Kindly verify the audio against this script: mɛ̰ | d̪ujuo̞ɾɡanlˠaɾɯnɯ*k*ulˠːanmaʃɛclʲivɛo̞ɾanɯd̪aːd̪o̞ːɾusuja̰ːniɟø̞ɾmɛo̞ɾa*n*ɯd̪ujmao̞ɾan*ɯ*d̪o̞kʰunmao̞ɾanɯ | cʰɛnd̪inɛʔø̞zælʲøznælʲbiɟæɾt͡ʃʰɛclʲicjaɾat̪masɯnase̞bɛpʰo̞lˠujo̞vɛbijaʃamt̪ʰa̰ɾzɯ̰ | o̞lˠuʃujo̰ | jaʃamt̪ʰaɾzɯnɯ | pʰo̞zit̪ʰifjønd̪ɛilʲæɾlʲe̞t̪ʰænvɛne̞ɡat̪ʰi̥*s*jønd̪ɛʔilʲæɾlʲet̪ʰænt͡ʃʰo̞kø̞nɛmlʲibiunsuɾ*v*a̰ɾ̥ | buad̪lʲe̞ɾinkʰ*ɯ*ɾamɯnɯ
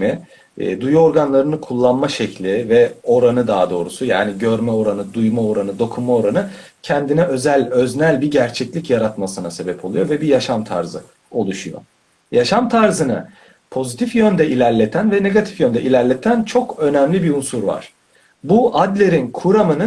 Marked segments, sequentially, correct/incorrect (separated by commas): incorrect, correct, correct, incorrect, correct, incorrect